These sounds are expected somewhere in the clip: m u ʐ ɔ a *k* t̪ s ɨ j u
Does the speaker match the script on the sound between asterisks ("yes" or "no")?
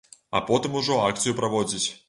yes